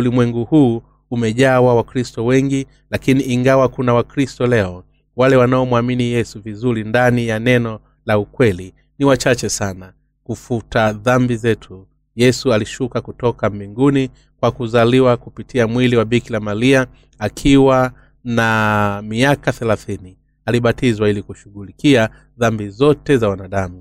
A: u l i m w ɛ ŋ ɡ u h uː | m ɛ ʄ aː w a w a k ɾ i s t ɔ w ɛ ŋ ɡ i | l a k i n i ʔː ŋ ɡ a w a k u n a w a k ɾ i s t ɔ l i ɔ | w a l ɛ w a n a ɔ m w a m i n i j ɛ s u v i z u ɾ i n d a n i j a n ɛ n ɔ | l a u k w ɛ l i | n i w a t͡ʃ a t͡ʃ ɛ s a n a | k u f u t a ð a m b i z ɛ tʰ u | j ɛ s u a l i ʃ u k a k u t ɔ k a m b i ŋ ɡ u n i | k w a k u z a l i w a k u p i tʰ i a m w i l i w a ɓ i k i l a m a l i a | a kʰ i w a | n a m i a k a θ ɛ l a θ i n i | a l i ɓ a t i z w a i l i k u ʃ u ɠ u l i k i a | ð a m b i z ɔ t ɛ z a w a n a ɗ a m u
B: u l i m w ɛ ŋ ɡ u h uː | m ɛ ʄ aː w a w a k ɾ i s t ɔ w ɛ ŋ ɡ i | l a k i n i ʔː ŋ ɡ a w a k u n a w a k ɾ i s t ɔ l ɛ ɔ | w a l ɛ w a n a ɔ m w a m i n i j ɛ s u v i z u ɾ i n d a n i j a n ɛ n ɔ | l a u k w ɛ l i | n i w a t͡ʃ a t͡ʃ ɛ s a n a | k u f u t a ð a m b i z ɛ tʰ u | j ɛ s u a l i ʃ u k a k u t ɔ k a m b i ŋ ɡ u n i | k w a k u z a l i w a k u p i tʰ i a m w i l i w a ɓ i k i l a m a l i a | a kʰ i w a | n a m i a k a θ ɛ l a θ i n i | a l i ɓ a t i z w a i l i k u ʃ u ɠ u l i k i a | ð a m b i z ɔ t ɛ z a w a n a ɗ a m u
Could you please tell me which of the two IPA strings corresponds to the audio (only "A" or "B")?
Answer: B